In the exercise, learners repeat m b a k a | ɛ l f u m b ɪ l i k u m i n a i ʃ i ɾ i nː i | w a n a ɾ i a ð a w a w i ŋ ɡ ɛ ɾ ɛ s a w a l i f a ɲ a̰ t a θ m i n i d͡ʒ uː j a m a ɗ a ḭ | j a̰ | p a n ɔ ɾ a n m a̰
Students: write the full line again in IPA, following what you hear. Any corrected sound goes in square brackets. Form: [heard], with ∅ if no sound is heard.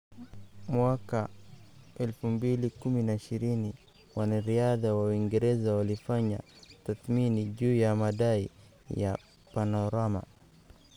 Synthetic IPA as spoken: m [w] a k a | ɛ l f u m b [i] l i k u m i n a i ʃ i ɾ i [n] i | w a n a ɾ i a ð a w a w i ŋ ɡ ɛ ɾ ɛ [z] a w a l i f a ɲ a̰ t a θ m i n i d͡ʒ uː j a m a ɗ a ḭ | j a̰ | p a n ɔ ɾ a [∅] m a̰